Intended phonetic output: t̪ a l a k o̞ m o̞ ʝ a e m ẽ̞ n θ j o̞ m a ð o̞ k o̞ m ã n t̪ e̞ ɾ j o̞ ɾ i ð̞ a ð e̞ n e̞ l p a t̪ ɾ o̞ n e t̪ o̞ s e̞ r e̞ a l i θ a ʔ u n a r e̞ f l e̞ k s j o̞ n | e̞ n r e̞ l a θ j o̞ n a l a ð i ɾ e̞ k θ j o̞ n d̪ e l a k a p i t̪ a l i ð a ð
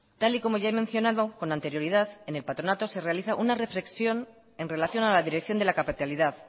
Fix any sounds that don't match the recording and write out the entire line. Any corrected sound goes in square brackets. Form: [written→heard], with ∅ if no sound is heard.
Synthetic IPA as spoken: t̪ a l [a→i] k o̞ m o̞ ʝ a e m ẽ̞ n θ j o̞ [m→n] a ð o̞ k o̞ [m→n] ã n t̪ e̞ ɾ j o̞ ɾ i ð̞ a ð e̞ n e̞ l p a t̪ ɾ o̞ n [e→a] t̪ o̞ s e̞ r e̞ a l i θ a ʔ u n a r e̞ f l e̞ k s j o̞ n | e̞ n r e̞ l a θ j o̞ n a l a ð i ɾ e̞ k θ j o̞ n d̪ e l a k a p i t̪ a l i ð a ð